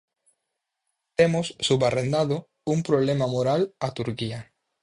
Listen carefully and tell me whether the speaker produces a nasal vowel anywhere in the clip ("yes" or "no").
no